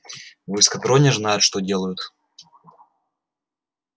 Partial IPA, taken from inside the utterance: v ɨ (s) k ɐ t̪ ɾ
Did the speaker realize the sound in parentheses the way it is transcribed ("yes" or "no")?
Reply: yes